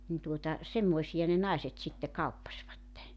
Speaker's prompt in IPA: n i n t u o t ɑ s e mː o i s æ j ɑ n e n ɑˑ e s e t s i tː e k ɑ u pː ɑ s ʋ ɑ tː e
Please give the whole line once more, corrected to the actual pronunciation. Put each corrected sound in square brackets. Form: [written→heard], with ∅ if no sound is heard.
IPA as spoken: n i n t u o t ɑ s e mː o i s [æ→i] j ɑ n e n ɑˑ e s e t s i tː e k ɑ u pː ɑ s ʋ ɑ tː e